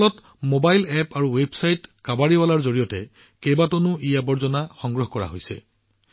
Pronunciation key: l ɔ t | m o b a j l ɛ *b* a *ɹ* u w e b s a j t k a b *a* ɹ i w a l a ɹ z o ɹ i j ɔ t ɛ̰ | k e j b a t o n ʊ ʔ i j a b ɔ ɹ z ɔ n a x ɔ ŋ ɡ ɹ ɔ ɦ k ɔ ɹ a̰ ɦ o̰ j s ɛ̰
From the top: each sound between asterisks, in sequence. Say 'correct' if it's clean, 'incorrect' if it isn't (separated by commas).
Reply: incorrect, correct, correct